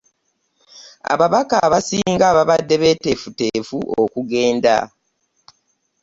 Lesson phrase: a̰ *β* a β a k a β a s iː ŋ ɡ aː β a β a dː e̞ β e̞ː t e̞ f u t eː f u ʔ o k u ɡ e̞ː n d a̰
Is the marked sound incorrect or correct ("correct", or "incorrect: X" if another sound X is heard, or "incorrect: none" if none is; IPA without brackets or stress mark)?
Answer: correct